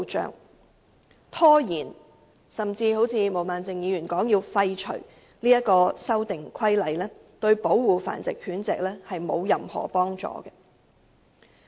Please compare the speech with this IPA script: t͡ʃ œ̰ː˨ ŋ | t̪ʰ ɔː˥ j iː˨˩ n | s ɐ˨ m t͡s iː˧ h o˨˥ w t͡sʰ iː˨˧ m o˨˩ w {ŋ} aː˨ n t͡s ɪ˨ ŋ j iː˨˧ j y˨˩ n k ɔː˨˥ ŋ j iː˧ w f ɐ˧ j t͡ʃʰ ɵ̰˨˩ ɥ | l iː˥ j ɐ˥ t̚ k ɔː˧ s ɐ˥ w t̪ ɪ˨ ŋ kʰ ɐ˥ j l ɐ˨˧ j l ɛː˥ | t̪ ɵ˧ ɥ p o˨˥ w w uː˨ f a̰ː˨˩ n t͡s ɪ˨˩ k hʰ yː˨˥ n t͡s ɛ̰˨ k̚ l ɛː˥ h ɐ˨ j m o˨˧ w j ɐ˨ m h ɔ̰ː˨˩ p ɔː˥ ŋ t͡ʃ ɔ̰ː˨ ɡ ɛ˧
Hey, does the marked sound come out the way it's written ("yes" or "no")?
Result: no